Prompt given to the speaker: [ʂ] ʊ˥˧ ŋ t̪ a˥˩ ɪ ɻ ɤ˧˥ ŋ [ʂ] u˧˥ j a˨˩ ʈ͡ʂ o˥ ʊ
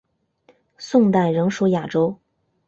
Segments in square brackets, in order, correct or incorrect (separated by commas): incorrect, correct